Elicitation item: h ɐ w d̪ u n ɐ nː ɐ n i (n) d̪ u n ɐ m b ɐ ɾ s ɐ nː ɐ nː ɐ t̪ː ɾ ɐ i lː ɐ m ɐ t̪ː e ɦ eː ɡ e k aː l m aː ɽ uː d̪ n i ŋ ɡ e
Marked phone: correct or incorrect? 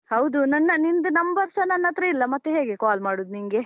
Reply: correct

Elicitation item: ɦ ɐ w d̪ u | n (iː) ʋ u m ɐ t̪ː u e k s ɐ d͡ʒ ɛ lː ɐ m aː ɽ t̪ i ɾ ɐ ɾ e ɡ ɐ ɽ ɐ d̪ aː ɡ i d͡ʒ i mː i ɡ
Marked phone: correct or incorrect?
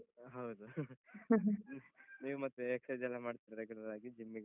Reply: correct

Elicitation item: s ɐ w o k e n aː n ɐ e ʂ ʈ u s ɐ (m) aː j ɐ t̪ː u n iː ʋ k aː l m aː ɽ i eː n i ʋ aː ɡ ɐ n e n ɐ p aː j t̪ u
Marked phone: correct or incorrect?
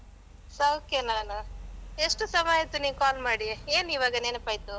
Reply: correct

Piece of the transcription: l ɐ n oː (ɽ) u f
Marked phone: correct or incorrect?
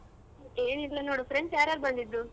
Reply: correct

